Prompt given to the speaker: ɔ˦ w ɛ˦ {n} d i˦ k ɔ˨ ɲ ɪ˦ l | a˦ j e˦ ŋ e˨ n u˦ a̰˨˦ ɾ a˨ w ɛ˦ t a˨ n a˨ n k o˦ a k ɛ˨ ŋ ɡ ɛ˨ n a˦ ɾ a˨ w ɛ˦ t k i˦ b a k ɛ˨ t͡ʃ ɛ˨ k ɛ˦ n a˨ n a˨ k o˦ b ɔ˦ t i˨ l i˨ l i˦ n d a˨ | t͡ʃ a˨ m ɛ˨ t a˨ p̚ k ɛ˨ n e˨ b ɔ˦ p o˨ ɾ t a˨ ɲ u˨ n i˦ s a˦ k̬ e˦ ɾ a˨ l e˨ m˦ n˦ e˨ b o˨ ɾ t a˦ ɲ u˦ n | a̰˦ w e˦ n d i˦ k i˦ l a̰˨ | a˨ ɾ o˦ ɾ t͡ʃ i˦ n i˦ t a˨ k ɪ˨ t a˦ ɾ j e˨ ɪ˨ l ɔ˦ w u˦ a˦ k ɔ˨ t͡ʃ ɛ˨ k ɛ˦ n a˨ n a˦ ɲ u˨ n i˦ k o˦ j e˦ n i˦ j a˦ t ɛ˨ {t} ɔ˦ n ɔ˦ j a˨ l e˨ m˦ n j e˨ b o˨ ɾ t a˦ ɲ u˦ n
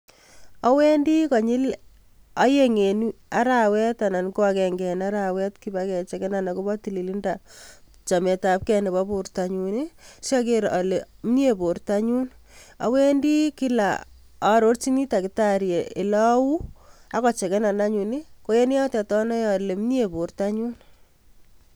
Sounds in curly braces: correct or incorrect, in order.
correct, correct

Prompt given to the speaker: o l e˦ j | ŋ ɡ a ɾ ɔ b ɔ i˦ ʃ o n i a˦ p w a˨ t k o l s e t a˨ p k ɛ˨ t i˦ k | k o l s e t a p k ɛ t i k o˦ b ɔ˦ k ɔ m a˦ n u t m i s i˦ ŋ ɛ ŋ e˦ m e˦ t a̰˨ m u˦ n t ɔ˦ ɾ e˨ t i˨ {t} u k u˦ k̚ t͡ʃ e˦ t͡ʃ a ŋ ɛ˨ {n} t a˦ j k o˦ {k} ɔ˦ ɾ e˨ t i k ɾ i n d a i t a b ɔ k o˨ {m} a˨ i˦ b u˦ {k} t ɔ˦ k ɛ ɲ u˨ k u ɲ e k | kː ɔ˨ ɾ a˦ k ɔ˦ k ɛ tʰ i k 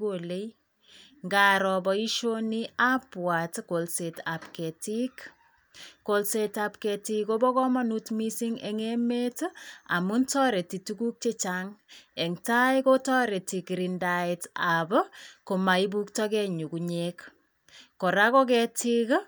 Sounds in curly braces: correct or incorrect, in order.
correct, incorrect: ŋ, incorrect: t, correct, correct

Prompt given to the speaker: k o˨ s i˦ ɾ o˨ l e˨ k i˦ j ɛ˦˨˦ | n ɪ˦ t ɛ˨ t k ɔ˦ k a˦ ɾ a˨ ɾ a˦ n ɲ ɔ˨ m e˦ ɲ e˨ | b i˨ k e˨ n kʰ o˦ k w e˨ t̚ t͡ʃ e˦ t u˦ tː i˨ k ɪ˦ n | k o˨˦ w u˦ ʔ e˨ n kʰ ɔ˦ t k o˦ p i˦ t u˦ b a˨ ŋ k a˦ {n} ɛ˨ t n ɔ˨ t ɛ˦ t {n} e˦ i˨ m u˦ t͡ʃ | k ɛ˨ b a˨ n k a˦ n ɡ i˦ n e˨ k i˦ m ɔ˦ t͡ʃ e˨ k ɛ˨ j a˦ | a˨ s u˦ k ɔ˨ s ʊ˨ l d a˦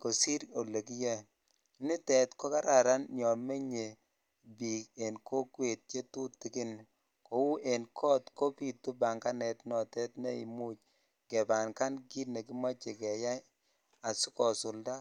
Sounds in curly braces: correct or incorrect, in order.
correct, correct

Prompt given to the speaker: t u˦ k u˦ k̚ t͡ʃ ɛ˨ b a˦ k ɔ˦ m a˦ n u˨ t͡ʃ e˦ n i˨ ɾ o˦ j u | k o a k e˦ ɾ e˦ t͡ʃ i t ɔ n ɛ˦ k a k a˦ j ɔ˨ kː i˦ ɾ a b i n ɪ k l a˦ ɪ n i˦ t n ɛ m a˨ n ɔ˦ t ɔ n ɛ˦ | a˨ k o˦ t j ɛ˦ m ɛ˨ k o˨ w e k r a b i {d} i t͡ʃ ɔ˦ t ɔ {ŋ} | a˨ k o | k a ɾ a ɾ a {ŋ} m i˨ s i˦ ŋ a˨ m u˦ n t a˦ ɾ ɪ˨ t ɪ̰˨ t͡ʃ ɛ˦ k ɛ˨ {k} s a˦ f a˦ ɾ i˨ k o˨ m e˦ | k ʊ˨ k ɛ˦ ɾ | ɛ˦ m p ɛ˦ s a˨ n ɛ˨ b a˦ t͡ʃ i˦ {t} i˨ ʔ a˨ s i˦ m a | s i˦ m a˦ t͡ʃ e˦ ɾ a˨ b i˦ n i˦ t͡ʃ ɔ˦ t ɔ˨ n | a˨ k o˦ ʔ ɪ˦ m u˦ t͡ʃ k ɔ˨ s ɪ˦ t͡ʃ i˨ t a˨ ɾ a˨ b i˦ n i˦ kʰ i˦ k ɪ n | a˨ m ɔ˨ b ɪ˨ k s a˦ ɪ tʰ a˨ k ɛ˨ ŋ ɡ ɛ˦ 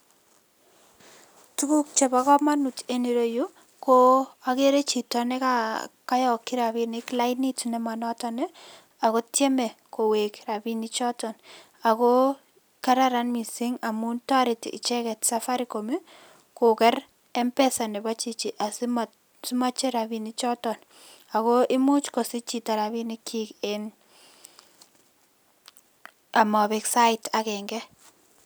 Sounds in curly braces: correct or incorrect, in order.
incorrect: n, incorrect: n, incorrect: n, incorrect: t, incorrect: t͡ʃ

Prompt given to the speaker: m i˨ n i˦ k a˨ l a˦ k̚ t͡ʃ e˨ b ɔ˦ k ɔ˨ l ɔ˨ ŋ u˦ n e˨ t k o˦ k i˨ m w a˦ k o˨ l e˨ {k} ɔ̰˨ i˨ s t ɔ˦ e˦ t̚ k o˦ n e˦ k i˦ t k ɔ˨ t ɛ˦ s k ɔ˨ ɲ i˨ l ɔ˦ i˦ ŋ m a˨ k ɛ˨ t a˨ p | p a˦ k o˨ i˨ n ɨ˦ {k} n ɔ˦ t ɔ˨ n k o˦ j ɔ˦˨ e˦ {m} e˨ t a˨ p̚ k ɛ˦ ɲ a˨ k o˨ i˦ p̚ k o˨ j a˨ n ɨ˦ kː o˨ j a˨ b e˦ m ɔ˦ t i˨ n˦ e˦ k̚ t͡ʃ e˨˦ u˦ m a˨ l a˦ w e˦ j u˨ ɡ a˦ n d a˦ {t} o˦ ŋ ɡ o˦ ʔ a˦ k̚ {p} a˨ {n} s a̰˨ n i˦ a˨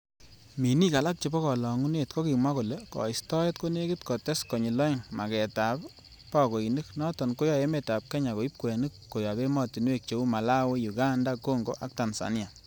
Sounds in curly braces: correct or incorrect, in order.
correct, correct, correct, incorrect: k, incorrect: t, correct

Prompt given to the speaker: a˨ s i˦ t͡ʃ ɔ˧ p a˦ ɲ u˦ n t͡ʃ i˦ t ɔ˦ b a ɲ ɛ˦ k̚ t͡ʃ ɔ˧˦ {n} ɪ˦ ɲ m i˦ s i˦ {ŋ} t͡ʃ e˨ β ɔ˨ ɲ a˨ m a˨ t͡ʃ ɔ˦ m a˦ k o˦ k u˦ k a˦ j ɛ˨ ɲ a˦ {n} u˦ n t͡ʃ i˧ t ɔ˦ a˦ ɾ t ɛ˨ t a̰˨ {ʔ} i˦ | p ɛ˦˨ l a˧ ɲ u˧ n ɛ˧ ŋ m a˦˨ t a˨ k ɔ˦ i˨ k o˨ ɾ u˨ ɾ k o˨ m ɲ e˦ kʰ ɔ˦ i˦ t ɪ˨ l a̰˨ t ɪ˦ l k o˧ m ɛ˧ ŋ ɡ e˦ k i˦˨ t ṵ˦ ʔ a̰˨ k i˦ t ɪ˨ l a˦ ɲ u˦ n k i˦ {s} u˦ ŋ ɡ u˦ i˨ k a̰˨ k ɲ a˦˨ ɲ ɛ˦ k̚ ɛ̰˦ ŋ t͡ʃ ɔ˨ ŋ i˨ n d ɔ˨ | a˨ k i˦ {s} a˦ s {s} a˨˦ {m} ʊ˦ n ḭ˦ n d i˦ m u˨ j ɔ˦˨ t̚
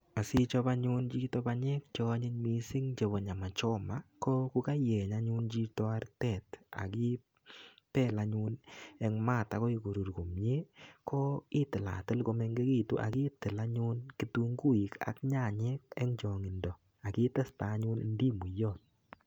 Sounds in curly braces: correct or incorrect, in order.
incorrect: ɲ, correct, incorrect: ɲ, incorrect: k, incorrect: t, incorrect: t, incorrect: t, incorrect: ɲ

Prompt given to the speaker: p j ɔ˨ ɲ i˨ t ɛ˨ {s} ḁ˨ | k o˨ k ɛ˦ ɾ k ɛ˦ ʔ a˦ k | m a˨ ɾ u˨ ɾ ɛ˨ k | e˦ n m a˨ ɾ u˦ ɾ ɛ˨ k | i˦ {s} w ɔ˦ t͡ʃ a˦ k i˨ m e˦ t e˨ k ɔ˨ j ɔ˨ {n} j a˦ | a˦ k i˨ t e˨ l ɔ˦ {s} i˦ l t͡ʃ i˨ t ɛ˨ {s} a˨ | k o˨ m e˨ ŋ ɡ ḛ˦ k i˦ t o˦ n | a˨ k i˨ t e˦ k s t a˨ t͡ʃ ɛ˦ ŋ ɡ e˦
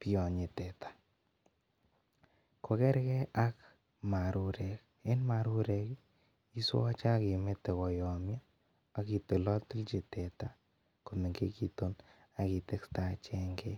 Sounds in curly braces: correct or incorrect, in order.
incorrect: t, correct, incorrect: m, incorrect: t, incorrect: t

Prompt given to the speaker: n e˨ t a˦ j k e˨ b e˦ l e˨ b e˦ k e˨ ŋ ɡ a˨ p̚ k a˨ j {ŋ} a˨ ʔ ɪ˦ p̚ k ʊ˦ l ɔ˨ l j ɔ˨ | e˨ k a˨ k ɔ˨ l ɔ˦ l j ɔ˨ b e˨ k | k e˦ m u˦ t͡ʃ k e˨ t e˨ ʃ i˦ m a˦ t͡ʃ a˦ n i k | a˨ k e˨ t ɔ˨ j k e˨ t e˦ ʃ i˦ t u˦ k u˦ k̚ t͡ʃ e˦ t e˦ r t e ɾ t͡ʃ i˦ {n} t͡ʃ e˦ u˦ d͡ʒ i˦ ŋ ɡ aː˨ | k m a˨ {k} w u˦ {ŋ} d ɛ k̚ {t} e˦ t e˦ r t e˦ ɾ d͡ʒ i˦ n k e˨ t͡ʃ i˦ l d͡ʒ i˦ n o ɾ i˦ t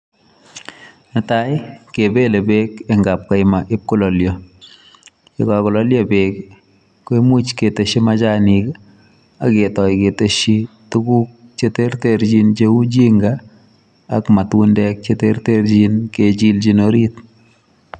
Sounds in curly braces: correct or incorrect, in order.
incorrect: m, correct, incorrect: t, incorrect: n, incorrect: t͡ʃ

